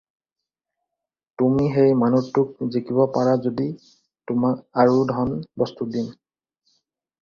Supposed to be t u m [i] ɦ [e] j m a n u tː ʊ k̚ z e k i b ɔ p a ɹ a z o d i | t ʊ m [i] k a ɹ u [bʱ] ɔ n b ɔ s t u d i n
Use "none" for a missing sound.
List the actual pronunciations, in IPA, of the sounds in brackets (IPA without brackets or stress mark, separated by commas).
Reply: i, e, a, dʱ